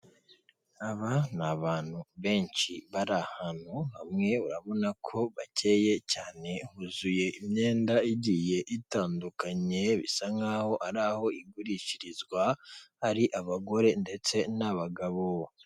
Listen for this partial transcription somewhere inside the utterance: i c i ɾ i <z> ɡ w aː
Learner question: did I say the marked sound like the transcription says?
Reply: yes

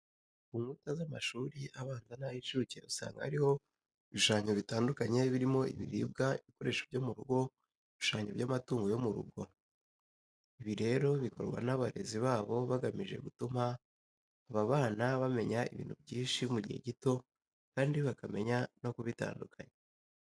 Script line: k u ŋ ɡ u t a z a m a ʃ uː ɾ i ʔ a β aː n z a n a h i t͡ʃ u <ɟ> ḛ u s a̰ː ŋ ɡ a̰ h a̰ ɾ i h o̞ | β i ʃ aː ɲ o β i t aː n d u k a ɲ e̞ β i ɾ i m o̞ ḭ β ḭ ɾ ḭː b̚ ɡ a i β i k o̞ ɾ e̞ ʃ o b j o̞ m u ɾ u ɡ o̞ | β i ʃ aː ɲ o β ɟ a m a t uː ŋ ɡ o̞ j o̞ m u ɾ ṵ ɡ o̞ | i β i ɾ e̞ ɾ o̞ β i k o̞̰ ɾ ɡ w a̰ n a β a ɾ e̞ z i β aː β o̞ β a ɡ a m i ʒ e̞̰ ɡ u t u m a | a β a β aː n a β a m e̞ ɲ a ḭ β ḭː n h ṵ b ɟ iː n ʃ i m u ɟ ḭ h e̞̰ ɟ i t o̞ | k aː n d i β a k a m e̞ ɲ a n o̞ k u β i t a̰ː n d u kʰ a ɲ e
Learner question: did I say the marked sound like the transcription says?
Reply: no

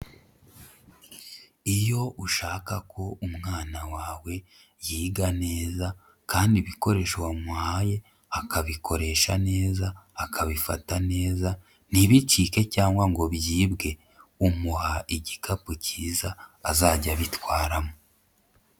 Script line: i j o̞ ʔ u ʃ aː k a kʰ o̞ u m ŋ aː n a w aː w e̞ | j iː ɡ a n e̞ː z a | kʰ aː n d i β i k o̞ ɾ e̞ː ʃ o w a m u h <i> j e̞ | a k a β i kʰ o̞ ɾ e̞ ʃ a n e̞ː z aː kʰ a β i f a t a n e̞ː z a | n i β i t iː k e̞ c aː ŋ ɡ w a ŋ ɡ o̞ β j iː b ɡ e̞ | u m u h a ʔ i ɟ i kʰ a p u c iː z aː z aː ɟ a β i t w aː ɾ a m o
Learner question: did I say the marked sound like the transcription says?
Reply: no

